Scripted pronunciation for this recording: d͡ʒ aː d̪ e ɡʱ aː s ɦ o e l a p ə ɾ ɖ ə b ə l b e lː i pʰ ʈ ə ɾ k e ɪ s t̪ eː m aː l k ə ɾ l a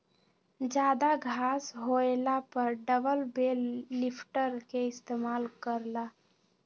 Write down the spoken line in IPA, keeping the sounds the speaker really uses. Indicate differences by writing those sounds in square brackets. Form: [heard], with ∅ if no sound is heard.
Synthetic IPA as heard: d͡ʒ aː d̪ [a] ɡʱ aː s ɦ o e l a p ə ɾ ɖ ə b ə l b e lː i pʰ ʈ ə ɾ k e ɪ s t̪ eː m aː l k ə ɾ l a